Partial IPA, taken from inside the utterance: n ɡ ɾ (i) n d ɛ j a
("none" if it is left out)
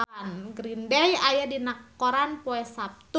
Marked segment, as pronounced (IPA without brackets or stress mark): i